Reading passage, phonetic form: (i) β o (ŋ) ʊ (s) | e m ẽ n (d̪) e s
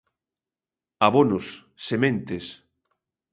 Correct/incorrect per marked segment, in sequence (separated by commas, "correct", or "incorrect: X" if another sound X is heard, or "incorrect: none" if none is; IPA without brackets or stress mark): incorrect: a, incorrect: n, incorrect: sː, incorrect: t̪